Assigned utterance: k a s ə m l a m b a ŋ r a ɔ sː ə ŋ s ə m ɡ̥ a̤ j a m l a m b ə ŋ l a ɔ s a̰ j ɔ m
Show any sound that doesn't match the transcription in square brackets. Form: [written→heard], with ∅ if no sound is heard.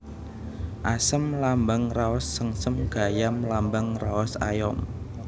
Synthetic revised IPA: [k→ʔ] a s ə m l a m b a ŋ r a ɔ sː ə ŋ s ə m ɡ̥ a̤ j a m l a m b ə ŋ [l→r] a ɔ s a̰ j ɔ m